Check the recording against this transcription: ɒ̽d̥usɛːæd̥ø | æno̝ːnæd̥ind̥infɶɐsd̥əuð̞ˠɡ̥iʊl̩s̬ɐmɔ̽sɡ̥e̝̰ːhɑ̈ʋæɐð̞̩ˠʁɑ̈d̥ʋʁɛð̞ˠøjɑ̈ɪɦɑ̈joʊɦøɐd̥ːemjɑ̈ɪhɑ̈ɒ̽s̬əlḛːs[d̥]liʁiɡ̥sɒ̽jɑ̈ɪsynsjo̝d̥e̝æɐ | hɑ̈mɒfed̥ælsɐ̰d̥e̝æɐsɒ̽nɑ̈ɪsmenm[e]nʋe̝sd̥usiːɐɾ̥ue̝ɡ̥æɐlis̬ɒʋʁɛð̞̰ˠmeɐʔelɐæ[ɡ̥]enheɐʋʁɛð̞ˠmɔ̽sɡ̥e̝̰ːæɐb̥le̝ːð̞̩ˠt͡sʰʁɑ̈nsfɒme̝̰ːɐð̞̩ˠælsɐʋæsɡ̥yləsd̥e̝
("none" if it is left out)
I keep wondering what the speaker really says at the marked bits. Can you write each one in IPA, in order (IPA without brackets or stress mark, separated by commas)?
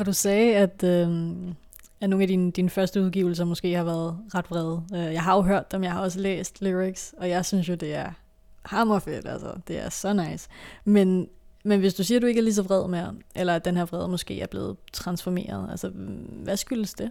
d̥, e, d̥